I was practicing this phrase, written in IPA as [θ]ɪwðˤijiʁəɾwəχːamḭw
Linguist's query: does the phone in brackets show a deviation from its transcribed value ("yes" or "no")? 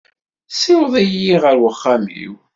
yes